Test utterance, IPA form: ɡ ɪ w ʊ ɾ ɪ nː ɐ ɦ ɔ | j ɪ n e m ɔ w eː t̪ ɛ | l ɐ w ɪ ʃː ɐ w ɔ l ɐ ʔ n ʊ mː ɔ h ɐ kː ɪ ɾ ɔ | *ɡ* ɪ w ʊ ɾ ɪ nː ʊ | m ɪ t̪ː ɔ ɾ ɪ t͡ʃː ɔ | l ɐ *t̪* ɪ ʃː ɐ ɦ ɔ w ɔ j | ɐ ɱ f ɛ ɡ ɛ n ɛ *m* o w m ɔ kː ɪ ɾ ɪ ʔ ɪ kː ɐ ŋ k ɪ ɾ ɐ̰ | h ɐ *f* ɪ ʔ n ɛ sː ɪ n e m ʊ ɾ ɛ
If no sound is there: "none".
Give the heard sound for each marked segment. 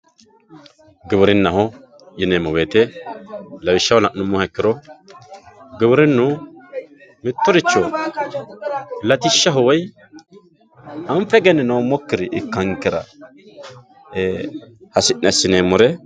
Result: ɡ, t̪, n, s

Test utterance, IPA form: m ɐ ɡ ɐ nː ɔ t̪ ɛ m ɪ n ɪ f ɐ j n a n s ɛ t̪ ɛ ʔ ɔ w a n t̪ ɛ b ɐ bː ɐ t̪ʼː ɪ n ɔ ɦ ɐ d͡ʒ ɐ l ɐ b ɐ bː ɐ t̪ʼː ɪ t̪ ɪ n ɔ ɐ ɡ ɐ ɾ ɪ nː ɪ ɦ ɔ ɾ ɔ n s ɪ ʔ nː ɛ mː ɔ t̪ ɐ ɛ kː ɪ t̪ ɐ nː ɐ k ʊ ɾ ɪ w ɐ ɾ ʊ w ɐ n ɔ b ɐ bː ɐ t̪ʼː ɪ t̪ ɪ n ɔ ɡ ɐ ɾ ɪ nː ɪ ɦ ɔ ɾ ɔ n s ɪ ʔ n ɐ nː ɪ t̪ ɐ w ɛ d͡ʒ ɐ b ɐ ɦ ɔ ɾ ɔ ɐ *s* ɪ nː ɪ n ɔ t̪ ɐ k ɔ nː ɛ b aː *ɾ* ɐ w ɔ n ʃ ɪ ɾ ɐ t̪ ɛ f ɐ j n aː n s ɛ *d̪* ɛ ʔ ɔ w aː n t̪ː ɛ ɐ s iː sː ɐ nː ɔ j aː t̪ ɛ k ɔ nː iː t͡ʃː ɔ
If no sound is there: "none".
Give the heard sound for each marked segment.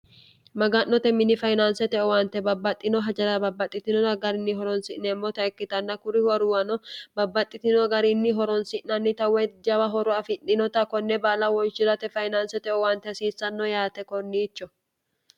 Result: f, l, t̪

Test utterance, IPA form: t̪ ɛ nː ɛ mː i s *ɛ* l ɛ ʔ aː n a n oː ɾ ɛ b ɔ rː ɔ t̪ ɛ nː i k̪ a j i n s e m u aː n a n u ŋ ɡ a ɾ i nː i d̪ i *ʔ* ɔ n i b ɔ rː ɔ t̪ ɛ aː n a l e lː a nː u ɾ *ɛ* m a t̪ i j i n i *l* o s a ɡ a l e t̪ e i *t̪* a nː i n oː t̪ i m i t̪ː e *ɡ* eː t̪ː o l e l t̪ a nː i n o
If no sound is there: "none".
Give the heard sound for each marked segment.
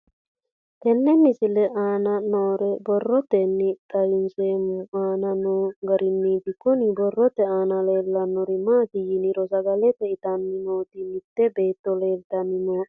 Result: i, k, i, ɾ, t̪, b

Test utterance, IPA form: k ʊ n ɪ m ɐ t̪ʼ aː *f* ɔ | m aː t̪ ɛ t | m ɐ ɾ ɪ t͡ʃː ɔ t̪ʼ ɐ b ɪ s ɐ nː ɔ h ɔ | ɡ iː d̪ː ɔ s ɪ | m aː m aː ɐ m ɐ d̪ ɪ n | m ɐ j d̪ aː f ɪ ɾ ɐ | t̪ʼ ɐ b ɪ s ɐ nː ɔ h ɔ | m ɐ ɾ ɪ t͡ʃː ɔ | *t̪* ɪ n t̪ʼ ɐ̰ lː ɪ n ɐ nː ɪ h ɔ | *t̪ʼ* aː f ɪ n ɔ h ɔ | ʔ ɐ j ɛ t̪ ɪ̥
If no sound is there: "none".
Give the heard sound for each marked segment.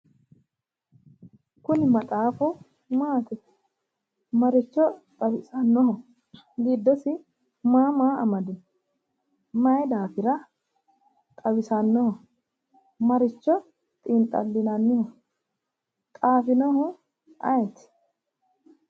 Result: f, t̪ʼ, t̪ʼ

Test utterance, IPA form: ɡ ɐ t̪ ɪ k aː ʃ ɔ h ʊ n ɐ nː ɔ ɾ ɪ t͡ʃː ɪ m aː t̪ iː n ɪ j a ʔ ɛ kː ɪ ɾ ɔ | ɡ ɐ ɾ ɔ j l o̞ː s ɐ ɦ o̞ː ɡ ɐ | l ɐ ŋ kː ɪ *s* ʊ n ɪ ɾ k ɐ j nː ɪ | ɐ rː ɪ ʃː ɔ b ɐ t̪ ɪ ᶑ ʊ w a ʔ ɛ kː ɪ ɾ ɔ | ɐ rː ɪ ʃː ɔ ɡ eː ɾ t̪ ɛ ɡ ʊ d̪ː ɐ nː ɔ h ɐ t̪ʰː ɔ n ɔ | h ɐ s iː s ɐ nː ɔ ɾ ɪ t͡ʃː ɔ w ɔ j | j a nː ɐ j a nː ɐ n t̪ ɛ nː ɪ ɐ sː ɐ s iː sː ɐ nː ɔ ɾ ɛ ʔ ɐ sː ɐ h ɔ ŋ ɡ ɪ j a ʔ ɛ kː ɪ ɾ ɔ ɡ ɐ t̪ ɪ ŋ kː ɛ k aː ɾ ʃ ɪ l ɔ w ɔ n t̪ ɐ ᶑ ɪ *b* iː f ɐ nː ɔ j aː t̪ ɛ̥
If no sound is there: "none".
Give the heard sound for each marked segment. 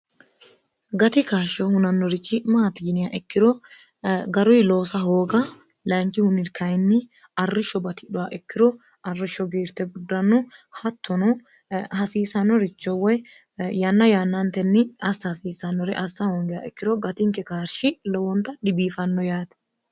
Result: h, b

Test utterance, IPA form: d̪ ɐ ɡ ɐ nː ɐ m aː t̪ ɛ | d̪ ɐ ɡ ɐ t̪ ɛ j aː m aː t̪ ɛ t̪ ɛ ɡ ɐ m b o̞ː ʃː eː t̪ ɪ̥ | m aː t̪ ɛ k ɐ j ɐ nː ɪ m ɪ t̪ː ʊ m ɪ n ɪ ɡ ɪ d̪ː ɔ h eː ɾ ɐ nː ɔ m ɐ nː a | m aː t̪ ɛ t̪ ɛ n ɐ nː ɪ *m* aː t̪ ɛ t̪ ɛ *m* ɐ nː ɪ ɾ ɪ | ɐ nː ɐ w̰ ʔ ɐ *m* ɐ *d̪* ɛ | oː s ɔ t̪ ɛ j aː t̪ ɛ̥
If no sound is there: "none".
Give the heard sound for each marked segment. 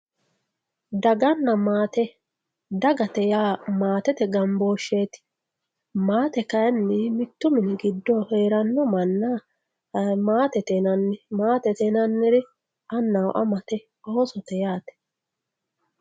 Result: m, n, m, t̪

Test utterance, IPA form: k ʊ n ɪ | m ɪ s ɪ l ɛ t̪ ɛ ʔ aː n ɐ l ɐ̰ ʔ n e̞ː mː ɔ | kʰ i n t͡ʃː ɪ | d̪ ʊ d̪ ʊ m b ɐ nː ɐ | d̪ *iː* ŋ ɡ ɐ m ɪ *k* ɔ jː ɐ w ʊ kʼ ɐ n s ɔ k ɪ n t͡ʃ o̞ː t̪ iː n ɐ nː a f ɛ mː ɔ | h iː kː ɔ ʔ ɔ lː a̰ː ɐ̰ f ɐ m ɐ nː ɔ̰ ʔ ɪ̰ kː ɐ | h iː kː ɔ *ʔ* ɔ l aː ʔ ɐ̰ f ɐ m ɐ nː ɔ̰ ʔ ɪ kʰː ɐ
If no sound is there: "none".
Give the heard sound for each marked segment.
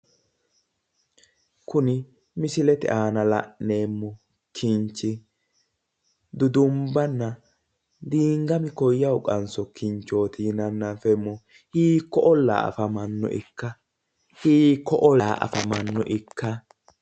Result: iː, k, ʔ

